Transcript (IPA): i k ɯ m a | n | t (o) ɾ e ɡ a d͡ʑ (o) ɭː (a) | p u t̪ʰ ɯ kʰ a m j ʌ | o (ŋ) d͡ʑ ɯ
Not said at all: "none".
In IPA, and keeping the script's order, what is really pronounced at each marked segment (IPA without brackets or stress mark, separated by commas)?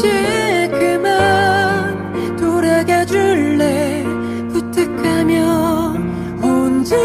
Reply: o, u, e, n